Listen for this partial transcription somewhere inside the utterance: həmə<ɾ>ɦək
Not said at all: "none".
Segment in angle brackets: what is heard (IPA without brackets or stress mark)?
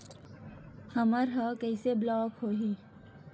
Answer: ɾ